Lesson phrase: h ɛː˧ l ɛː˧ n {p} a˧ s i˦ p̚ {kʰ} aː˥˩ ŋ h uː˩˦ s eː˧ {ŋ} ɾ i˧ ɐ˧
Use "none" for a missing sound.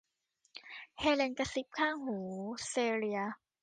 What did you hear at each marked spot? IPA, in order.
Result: k, kʰ, none

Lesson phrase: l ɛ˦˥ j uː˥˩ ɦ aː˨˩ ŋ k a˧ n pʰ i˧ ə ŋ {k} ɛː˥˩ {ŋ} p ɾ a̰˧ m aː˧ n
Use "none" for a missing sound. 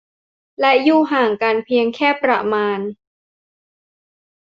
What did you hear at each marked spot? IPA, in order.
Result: kʰ, none

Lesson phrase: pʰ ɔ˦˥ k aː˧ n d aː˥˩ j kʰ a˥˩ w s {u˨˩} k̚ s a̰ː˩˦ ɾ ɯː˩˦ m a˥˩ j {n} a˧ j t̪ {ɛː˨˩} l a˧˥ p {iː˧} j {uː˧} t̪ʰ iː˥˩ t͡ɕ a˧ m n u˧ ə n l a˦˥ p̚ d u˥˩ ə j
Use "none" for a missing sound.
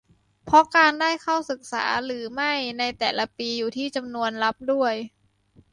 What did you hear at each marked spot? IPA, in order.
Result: ɯ˨˩, n, ɛː˨˩, iː˧, uː˨˩

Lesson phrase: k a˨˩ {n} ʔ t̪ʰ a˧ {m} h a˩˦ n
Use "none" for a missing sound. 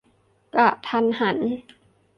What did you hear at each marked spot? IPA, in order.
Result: none, n

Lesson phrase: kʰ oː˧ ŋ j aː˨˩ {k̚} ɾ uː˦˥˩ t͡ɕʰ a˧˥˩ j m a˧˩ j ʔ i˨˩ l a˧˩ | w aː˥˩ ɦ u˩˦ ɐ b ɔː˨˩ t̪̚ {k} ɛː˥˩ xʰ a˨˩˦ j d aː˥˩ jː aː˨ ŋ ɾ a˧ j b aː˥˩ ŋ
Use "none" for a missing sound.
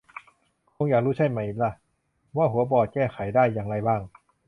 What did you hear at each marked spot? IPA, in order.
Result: k̚, k

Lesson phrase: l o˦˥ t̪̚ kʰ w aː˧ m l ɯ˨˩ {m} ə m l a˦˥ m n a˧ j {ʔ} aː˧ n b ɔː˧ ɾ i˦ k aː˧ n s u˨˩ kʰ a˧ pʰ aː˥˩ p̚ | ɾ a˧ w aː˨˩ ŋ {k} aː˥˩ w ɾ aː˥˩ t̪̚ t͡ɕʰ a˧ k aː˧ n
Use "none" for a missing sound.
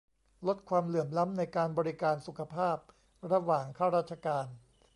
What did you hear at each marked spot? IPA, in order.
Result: none, k, kʰ

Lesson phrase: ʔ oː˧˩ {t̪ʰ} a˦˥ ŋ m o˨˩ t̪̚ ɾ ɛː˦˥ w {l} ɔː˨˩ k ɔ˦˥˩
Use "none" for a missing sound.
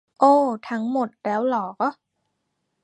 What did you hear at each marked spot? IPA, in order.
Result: t̪ʰ, l

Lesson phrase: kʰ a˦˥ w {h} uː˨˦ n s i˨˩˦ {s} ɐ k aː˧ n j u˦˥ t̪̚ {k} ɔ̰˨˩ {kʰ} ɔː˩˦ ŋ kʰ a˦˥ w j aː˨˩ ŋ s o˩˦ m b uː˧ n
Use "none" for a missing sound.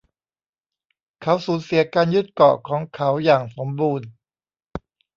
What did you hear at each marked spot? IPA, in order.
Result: s, none, k, kʰ

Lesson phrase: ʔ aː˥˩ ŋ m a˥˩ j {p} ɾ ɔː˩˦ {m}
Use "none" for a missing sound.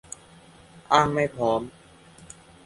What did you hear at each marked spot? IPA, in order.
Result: pʰ, m

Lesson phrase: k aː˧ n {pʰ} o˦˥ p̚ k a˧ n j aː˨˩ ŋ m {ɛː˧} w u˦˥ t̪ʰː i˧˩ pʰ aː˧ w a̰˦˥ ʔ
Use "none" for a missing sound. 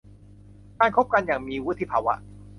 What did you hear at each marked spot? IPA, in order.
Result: kʰ, iː˧

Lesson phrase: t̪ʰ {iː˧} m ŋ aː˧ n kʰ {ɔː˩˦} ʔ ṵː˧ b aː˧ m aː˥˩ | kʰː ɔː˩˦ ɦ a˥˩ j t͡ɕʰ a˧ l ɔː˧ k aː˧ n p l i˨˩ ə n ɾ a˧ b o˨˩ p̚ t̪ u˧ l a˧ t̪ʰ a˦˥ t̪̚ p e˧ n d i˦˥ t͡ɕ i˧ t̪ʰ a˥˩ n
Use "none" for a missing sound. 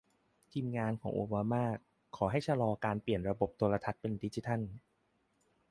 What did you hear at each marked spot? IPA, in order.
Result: iː˧, ɔː˩˦

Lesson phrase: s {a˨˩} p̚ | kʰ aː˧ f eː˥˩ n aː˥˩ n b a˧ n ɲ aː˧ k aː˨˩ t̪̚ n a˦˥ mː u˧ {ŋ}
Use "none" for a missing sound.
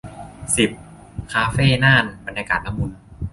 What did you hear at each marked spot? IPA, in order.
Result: i˨˩, n

